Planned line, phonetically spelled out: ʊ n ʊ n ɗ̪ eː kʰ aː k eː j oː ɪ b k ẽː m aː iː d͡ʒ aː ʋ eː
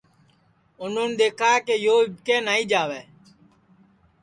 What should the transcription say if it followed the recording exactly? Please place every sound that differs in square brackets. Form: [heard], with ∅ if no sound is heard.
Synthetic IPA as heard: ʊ n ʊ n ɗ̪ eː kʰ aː k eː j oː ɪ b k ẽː [n] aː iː d͡ʒ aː ʋ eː

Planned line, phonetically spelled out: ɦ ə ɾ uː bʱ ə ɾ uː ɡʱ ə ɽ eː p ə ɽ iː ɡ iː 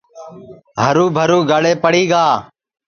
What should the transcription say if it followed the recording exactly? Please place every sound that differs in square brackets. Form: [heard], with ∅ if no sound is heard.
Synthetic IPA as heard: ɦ ə ɾ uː bʱ ə ɾ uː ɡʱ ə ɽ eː p ə ɽ iː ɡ [aː]

